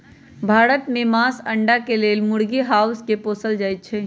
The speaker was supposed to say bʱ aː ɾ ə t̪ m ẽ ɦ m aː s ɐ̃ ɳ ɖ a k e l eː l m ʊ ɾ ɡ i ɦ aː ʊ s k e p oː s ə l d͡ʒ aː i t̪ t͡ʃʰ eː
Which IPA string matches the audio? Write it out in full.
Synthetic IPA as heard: bʱ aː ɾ ə t̪ m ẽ m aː s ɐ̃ ɳ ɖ a k e l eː l m ʊ ɽ ɡ i ɦ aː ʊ s k e p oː s ə l d͡ʒ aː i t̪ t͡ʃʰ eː